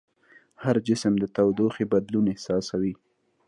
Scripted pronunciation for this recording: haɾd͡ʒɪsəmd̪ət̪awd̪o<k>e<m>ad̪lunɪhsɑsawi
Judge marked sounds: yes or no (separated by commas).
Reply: no, no